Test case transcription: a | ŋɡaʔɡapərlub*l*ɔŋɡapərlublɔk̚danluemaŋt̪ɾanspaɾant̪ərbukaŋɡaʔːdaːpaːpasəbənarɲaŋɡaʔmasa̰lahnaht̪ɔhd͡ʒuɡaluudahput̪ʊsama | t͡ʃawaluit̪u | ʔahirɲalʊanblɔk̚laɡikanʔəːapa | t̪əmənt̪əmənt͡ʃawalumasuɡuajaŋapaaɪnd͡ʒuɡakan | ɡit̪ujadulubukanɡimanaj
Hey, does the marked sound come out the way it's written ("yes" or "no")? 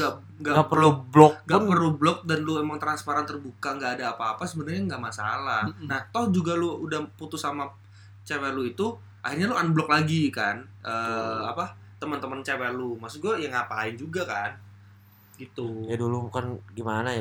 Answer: yes